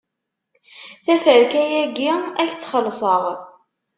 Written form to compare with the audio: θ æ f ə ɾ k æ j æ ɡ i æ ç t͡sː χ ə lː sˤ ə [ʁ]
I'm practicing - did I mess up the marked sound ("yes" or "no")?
no